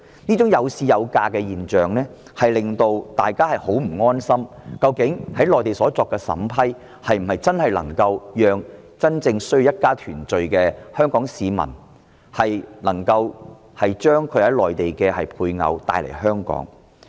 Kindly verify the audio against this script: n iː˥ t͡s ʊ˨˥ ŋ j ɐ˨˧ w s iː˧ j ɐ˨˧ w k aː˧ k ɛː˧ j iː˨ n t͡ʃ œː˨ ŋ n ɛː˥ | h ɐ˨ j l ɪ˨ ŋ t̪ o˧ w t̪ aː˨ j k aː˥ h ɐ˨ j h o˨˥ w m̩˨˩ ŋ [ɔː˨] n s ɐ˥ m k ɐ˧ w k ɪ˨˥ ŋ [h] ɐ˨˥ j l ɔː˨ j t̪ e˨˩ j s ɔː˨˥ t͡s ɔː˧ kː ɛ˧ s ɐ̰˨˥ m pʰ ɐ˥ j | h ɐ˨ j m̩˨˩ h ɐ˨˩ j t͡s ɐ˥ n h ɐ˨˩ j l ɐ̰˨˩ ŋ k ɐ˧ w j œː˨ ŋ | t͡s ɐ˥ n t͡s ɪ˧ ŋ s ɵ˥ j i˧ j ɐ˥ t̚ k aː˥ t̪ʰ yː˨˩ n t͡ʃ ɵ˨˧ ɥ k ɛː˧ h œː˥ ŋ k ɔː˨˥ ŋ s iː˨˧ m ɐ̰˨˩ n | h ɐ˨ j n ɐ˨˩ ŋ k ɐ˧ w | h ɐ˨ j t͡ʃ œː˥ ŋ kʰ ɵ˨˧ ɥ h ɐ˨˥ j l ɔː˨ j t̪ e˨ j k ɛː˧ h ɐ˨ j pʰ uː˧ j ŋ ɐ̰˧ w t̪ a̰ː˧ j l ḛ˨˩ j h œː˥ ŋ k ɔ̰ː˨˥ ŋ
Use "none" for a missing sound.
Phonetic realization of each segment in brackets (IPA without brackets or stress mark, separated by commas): ɔː˥, h